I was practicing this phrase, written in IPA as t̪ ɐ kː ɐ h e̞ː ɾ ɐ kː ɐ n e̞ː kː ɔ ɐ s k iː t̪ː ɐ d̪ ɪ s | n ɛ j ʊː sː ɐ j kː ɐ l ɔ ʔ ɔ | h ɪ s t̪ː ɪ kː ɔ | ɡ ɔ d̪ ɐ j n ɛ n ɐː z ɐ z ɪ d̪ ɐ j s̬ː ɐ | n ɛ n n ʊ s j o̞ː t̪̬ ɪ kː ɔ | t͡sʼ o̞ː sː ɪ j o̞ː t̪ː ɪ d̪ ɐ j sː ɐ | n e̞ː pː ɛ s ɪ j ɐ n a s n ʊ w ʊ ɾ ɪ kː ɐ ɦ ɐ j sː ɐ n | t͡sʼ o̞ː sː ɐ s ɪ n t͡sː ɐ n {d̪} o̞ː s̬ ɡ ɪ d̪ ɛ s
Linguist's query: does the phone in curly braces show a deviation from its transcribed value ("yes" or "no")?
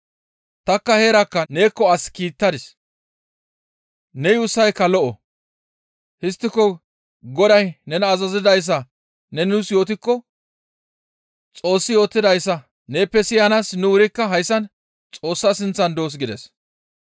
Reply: no